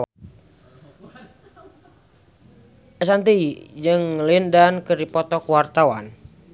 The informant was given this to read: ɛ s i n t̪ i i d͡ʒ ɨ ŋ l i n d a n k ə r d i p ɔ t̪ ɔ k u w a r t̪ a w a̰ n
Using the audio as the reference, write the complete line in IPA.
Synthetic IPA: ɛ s a n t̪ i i d͡ʒ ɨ ŋ l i n d a n k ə r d i p ɔ t̪ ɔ k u w a r t̪ a w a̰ n